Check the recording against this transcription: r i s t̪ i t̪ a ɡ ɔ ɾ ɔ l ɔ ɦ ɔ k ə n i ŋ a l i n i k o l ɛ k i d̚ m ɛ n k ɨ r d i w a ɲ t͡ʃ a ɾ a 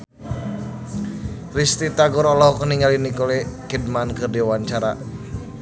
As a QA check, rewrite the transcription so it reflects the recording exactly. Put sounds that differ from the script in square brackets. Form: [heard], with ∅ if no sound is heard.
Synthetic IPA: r i s t̪ i t̪ a ɡ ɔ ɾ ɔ l ɔ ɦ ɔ k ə n i ŋ a l i n i k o l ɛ k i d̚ m [a] n k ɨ r d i w a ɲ t͡ʃ a ɾ a

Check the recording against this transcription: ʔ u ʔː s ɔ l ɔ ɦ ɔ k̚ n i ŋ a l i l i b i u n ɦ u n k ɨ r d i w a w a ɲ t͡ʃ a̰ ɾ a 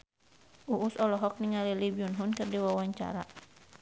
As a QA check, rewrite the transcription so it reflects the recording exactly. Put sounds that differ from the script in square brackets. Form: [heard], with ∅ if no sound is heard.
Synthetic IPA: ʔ u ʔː s ɔ l ɔ ɦ ɔ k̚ n i ŋ a l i l i b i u n ɦ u n k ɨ r d i w a w a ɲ t͡ʃ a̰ ɾ a

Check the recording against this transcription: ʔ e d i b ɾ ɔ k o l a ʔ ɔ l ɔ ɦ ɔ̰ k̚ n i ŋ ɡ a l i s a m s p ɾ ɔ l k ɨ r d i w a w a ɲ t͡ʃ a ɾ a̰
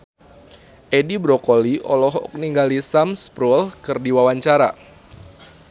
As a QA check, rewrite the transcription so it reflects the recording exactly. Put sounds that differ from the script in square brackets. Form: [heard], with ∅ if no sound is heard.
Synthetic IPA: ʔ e d i b ɾ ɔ k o l [i] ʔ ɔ l ɔ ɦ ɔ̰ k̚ n i ŋ ɡ a l i s a m s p ɾ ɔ l k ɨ r d i w a w a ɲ t͡ʃ a ɾ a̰

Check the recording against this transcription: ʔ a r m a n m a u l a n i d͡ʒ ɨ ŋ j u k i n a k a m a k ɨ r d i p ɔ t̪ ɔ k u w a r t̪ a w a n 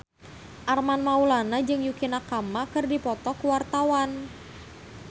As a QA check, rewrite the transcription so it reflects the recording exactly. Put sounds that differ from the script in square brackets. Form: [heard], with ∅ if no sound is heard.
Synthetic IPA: ʔ a r m a n m a u l a n [a] d͡ʒ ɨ ŋ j u k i n a k a m a k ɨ r d i p ɔ t̪ ɔ k u w a r t̪ a w a n

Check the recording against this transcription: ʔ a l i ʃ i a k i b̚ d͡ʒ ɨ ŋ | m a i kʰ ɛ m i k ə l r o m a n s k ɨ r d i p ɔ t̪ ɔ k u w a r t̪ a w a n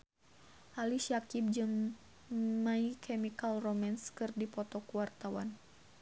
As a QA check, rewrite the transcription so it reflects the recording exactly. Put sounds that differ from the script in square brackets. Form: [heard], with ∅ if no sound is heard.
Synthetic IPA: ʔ a l i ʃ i a k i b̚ d͡ʒ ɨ ŋ | m a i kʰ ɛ m i k [a] l r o m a n s k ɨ r d i p ɔ t̪ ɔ k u w a r t̪ a w a n

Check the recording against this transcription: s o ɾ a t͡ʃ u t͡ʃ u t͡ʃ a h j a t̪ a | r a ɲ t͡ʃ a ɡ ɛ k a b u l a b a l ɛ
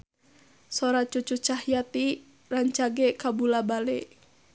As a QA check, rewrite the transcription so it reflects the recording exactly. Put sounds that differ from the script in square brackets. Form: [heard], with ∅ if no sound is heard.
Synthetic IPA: s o ɾ a t͡ʃ u t͡ʃ u t͡ʃ a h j a t̪ [i] | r a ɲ t͡ʃ a ɡ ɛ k a b u l a b a l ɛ

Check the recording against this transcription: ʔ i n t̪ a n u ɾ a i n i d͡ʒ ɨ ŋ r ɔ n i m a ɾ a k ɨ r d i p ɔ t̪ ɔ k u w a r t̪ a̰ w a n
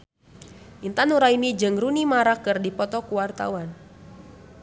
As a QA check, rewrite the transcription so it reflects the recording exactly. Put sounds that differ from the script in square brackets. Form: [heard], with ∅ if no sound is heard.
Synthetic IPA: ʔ i n t̪ a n u ɾ a i n i d͡ʒ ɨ ŋ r [u] n i m a ɾ a k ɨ r d i p ɔ t̪ ɔ k u w a r t̪ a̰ w a n

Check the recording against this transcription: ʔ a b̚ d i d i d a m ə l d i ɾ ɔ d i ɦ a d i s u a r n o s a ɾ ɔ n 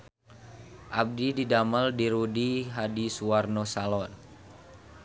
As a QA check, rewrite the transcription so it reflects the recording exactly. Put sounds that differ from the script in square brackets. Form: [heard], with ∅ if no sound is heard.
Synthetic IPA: ʔ a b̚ d i d i d a m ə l d i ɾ [u] d i ɦ a d i s u a r n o s a [l] ɔ n

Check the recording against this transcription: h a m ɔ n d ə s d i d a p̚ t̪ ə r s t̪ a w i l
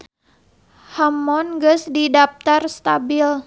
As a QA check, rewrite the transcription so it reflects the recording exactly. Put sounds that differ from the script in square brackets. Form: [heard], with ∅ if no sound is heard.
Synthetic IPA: h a m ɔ n [ɡ] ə s d i d a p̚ t̪ [a] r s t̪ a [b] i l

